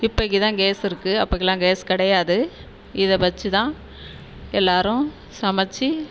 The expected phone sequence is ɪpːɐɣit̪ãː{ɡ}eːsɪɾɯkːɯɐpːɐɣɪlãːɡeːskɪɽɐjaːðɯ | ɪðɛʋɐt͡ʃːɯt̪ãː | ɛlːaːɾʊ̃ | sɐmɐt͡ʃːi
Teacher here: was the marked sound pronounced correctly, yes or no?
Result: yes